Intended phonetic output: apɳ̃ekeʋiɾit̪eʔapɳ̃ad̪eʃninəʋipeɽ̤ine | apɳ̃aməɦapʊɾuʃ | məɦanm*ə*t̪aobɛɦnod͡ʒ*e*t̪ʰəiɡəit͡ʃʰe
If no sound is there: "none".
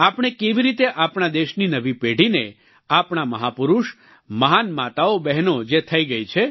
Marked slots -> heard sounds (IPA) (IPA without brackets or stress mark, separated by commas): a, e